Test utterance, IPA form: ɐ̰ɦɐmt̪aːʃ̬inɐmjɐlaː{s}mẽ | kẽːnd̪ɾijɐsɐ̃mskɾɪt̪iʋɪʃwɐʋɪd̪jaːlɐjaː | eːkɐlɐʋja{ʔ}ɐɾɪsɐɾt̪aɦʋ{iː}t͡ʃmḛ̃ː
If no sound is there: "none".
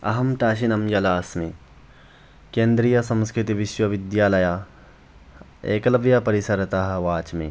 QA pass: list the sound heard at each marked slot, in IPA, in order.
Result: s, p, aː

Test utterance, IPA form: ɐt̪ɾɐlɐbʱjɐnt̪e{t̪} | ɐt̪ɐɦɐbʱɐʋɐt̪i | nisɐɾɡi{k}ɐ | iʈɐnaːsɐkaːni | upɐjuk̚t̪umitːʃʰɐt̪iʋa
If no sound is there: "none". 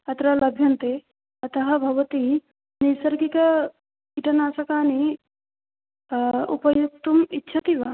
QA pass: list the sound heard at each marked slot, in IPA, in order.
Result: none, k

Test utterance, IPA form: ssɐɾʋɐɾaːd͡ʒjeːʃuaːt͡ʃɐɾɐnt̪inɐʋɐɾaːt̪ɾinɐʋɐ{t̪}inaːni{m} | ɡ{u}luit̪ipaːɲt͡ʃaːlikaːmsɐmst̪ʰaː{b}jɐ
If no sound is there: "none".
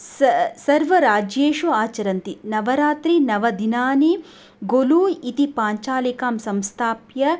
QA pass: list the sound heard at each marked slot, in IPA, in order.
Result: d̪, none, o, p

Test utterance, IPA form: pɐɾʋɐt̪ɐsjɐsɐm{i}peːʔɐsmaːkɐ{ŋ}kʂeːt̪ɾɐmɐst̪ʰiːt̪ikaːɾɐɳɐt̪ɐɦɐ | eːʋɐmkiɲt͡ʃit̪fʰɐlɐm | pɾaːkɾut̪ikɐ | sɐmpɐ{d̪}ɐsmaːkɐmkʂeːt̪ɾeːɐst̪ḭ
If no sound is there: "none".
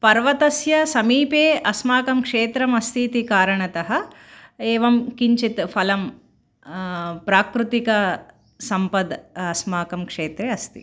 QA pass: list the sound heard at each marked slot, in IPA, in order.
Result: iː, m, d̪

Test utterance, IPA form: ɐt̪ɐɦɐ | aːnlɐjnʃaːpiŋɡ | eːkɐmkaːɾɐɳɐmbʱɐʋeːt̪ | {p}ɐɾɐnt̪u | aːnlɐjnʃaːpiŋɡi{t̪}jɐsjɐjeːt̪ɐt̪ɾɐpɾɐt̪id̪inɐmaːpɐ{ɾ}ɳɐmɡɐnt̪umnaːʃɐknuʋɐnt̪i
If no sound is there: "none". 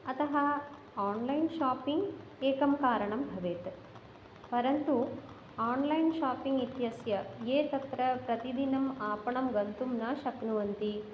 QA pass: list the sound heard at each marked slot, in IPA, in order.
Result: p, t̪, none

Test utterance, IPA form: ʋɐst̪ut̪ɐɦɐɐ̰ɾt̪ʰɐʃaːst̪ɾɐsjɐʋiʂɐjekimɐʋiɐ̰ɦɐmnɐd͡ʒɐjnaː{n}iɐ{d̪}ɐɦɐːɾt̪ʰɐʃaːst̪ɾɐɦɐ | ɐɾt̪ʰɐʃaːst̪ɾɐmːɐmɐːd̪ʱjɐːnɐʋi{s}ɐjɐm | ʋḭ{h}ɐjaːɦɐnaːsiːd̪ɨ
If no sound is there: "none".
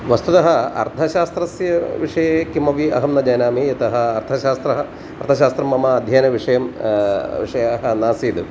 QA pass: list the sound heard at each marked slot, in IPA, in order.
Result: m, t̪, ʂ, ʂ

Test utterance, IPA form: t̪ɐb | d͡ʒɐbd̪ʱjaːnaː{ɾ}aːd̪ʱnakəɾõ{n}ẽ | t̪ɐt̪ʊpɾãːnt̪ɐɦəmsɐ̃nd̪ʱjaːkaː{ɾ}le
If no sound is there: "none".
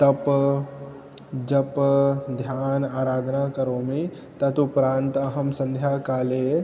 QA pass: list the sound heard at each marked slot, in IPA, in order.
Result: ɾ, m, none

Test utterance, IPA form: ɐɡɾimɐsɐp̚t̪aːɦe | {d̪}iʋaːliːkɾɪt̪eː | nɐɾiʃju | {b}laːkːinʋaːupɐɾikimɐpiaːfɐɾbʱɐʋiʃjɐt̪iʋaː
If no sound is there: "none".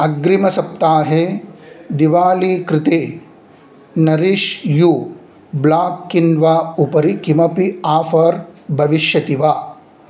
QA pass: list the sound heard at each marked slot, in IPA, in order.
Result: d̪, b

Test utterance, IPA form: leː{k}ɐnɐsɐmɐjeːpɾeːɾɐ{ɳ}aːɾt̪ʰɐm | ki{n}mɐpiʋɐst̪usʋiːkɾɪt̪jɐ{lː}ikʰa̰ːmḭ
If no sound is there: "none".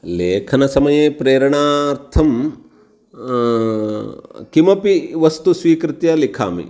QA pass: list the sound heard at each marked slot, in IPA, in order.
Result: kʰ, ɳ, none, l

